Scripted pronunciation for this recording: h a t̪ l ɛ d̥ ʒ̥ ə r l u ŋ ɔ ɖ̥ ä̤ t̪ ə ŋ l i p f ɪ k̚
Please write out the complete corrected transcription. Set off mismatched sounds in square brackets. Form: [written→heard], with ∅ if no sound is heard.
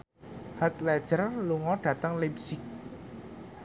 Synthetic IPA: h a t̪ l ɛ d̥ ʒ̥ ə r l u ŋ ɔ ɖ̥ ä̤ t̪ ə ŋ l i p [f→s] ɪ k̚